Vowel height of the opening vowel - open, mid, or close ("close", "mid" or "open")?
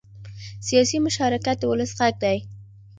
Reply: close